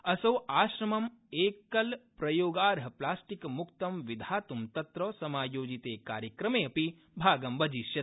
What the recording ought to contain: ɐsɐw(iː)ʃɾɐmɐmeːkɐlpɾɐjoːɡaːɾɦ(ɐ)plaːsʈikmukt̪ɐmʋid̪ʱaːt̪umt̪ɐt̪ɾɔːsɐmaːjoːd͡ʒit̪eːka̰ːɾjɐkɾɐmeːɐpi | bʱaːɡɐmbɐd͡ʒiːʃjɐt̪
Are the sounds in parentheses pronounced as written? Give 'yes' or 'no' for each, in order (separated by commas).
no, yes